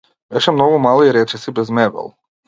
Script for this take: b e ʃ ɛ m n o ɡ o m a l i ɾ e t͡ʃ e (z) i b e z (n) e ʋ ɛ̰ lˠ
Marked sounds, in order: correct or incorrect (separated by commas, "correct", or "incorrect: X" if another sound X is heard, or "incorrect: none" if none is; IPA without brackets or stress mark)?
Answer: incorrect: s, incorrect: m